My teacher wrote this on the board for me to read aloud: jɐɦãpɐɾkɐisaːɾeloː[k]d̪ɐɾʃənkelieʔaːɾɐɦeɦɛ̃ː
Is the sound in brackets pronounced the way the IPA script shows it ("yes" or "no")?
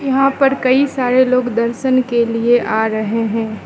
no